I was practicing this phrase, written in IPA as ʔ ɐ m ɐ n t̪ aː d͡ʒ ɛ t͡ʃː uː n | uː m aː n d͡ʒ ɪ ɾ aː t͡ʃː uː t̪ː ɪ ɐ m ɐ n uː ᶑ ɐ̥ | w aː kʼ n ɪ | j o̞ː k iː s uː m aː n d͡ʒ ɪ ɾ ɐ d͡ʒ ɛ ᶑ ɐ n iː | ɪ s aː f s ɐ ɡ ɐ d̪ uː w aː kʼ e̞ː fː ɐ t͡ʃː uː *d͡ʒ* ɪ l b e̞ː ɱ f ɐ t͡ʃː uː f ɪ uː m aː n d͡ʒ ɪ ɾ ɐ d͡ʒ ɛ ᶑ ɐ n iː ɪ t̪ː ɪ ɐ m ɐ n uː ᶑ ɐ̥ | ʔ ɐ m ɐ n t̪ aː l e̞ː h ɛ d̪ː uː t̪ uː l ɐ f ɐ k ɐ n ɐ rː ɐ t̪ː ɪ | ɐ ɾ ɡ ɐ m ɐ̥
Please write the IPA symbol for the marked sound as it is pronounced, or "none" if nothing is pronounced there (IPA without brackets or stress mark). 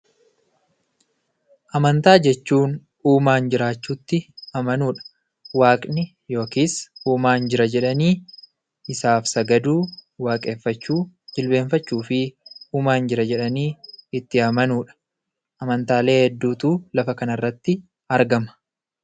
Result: d͡ʒ